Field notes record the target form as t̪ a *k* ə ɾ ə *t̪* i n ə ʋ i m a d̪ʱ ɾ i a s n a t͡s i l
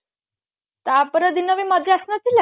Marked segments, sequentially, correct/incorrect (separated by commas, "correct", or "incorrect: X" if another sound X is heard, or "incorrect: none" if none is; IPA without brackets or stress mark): incorrect: p, incorrect: d̪